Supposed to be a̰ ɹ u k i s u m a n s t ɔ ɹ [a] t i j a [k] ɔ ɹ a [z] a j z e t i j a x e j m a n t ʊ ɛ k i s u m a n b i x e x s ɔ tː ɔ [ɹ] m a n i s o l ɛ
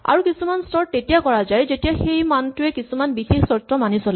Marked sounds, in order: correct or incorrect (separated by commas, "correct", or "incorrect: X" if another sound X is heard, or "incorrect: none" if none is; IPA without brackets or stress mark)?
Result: incorrect: e, correct, correct, incorrect: none